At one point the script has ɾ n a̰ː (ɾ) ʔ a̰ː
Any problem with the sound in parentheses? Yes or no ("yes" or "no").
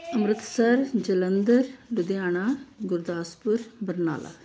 yes